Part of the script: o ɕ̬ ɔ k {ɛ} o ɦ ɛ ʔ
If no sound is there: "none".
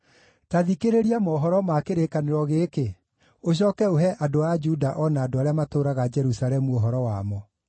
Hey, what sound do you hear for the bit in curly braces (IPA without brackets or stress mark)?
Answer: ɛ